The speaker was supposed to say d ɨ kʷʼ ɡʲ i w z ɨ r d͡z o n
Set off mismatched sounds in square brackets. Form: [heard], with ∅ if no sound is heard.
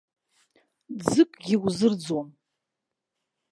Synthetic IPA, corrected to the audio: [d͡z] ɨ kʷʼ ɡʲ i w z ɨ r d͡z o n